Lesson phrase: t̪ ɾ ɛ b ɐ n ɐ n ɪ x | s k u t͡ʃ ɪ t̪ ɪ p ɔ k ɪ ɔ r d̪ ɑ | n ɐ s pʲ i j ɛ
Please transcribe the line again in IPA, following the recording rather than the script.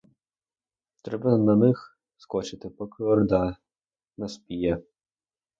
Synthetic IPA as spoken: t̪ ɾ ɛ b ɐ n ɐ n ɪ x | s k ɔ t͡ʃ ɪ t̪ ɪ p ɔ k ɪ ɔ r d̪ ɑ | n ɐ s pʲ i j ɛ